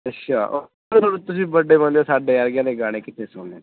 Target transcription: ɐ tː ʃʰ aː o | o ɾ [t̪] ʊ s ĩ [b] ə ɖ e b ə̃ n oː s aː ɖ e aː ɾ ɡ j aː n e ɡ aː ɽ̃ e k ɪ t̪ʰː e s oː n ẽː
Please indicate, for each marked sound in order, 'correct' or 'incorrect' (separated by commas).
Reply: correct, correct